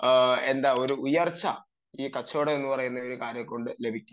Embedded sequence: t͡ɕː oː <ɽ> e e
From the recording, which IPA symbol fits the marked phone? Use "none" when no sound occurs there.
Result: ɽ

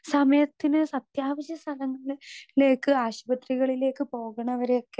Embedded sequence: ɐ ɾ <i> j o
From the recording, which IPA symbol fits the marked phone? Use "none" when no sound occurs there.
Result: e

